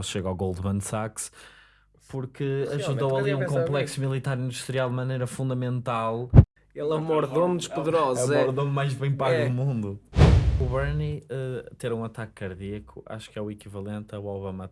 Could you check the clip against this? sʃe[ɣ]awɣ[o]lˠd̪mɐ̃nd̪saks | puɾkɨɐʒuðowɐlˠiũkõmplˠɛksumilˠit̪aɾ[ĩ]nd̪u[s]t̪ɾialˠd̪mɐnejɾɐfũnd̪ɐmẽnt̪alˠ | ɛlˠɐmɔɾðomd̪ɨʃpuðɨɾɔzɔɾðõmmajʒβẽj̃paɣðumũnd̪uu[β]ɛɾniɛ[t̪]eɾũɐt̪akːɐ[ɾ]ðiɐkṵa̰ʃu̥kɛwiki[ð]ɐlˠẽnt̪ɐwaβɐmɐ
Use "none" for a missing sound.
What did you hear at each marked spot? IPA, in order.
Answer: ɣ, o, ĩ, ʃ, β, t̪, ɾ, v

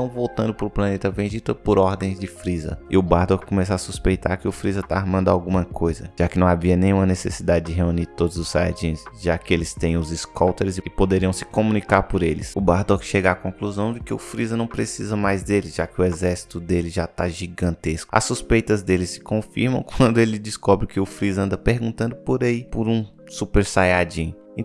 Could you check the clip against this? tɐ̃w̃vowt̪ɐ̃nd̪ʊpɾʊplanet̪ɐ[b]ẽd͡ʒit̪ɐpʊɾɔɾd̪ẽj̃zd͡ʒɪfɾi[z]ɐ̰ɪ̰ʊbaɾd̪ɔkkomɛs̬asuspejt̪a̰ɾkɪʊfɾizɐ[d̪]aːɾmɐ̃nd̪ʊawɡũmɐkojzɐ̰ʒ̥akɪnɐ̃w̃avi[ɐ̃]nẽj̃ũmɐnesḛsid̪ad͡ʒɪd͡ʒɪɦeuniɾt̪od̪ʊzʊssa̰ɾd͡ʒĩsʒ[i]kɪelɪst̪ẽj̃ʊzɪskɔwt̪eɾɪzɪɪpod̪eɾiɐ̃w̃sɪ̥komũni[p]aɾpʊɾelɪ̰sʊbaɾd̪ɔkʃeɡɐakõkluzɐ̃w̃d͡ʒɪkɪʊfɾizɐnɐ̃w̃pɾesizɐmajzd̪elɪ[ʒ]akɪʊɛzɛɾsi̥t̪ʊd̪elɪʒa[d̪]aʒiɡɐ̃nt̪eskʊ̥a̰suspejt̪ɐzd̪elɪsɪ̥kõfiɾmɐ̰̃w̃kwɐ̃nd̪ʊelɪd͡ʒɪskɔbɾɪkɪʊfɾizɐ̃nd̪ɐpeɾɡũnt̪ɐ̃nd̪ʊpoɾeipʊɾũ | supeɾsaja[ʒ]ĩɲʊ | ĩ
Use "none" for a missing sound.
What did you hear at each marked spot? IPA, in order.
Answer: v, z, t̪, ɐ, a, k, ʒ, t̪, d͡ʒ

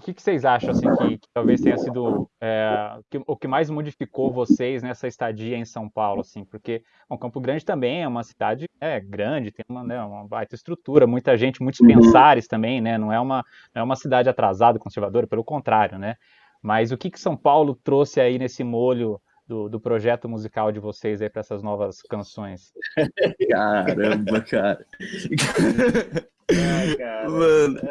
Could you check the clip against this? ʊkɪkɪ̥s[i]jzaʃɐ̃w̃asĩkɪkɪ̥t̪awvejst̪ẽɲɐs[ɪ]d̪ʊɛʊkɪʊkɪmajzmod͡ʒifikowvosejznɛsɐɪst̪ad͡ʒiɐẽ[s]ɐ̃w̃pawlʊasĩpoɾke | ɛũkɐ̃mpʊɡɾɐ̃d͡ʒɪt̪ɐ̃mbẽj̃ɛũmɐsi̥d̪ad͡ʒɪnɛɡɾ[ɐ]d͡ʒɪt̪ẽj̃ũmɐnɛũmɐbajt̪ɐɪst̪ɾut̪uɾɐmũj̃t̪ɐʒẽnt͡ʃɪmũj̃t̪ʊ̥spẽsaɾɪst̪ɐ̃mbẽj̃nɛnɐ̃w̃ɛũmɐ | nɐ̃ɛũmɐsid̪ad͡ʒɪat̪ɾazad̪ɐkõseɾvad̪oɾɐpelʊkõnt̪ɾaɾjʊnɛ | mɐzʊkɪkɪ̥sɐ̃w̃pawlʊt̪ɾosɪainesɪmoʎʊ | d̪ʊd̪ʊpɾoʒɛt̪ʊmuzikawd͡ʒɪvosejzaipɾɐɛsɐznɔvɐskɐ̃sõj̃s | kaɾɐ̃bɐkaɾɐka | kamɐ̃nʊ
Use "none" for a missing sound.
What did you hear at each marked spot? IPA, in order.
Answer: e, i, s, ɐ̃

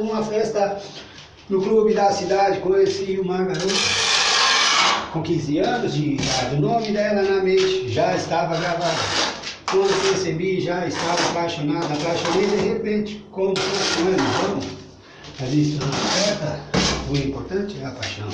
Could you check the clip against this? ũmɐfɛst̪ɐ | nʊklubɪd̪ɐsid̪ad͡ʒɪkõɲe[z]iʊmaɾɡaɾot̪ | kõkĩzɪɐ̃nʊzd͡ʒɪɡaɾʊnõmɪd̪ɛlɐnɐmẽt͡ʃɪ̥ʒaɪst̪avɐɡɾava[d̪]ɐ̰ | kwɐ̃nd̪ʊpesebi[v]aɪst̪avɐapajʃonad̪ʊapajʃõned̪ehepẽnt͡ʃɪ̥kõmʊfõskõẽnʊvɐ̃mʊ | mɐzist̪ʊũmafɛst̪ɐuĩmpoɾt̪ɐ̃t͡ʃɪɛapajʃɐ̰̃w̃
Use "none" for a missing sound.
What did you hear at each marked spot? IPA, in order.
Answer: s, d̪, ʒ

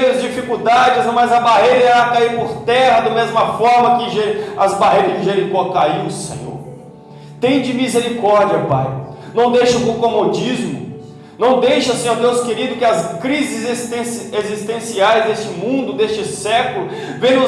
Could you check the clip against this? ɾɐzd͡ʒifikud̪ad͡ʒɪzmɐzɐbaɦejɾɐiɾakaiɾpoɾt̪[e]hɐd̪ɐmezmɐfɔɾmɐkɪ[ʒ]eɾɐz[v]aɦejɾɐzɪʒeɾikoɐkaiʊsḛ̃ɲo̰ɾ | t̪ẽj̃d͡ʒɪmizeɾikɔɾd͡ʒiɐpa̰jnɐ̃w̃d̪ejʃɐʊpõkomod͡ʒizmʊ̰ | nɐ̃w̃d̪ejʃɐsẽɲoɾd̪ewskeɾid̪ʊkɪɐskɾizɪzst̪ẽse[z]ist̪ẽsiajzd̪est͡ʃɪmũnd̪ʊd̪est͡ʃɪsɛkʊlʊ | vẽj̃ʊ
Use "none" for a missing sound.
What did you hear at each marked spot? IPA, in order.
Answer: ɛ, ʒ, b, z

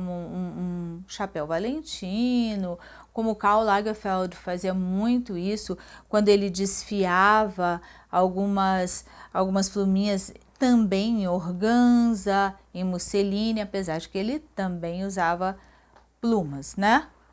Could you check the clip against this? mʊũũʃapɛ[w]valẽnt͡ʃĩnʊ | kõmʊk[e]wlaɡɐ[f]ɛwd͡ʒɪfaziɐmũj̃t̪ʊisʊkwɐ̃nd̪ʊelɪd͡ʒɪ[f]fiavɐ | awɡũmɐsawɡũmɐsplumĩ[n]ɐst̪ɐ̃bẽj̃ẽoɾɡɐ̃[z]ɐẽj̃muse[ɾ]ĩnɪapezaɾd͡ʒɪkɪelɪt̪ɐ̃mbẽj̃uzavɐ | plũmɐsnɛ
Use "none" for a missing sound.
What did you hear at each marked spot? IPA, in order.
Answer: w, a, f, s, ɲ, z, l

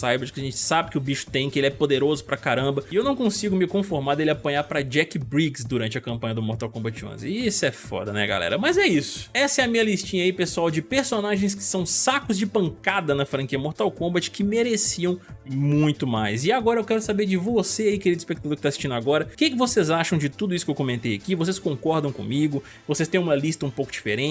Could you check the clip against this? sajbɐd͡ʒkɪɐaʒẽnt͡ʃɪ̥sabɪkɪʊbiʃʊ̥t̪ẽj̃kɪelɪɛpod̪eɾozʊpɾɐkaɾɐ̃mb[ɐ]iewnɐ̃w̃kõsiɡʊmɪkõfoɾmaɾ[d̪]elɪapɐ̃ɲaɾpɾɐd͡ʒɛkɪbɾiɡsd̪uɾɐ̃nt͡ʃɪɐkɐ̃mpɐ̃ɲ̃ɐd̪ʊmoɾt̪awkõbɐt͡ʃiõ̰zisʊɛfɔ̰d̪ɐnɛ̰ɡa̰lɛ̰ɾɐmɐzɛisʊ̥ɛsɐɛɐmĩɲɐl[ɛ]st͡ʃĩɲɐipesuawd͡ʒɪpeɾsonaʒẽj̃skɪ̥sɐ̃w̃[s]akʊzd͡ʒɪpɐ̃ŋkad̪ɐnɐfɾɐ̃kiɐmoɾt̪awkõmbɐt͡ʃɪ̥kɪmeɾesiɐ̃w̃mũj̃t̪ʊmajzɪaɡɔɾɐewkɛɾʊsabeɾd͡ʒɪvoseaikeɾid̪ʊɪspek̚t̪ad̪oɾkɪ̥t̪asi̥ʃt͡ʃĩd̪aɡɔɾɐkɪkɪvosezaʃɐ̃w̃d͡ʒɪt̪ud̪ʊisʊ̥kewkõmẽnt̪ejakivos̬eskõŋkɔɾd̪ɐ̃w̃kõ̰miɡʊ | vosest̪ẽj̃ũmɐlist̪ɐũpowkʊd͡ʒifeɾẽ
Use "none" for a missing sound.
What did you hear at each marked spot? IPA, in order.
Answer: ɐ, d̪, i, s

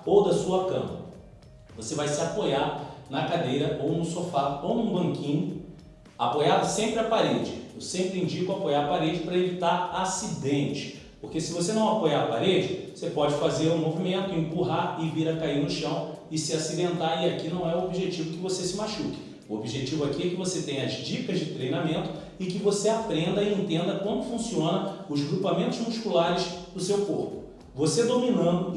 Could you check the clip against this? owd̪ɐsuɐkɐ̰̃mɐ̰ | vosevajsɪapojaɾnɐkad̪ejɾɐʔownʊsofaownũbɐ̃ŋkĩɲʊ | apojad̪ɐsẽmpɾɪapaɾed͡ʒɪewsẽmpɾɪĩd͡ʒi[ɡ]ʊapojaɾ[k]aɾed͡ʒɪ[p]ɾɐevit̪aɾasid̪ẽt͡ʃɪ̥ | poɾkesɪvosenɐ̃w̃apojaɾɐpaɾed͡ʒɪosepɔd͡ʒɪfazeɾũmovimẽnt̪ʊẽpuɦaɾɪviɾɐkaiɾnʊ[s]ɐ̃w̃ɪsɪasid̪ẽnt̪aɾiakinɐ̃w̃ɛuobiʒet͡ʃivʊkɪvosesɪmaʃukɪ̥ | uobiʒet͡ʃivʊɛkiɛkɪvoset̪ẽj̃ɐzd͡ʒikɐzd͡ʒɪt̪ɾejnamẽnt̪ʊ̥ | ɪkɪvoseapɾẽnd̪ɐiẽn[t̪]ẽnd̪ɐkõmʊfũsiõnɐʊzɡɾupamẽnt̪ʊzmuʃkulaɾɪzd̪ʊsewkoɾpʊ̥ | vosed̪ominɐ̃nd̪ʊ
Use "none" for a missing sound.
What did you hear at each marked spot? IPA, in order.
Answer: k, p, p, ʃ, t̪

